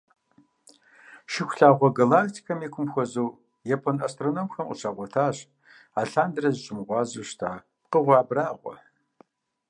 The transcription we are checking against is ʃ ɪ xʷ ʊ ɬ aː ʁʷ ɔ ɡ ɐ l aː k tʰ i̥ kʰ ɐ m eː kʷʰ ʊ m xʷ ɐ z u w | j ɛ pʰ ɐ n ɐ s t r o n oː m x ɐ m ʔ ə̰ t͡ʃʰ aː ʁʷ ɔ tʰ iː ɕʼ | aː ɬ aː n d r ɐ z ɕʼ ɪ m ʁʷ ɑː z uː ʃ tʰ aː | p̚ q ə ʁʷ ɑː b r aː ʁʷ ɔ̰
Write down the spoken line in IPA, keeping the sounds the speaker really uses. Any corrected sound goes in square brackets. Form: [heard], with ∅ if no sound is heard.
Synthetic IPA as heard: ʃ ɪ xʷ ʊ ɬ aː ʁʷ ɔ ɡ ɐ l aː k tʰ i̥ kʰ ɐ m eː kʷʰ ʊ m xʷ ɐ z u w | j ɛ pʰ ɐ n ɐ s t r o n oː m x ɐ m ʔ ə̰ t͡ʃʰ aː ʁʷ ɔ tʰ [aː] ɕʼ | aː ɬ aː n d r ɐ z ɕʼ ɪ m ʁʷ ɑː z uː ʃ tʰ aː | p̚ q ə ʁʷ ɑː b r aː ʁʷ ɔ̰